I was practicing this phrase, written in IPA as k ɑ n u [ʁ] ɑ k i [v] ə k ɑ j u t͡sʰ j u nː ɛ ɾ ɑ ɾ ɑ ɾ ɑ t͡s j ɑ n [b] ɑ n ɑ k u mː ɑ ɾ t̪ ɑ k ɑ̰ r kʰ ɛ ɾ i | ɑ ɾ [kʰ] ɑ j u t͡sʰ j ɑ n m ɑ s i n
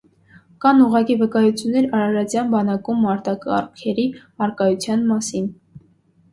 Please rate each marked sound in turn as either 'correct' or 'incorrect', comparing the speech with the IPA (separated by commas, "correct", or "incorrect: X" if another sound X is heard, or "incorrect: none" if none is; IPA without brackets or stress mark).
correct, correct, correct, incorrect: k